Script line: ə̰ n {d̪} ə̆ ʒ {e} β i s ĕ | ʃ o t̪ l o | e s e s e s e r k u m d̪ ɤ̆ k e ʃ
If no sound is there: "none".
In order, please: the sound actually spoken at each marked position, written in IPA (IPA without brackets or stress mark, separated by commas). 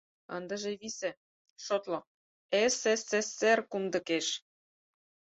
d̪, e